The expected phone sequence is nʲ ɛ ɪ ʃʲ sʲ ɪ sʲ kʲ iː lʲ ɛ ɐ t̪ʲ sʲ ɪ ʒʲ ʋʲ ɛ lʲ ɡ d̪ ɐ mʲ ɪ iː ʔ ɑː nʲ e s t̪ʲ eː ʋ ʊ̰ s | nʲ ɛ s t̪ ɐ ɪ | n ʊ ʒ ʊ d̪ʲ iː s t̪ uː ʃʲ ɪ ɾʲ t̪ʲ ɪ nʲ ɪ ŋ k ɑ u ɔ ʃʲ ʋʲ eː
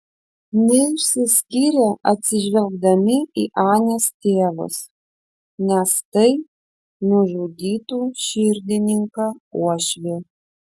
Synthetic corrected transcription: nʲ ɛ ɪ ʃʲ sʲ ɪ sʲ kʲ iː ɾʲ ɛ ɐ t̪ʲ sʲ ɪ ʒʲ ʋʲ ɛ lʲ ɡ d̪ ɐ mʲ ɪ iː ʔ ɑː nʲ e s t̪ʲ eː ʋ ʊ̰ s | nʲ ɛ s t̪ ɐ ɪ | n ʊ ʒ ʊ d̪ʲ iː t̪ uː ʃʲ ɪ ɾʲ d̪ʲ ɪ nʲ ɪ ŋ k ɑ u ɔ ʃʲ ʋʲ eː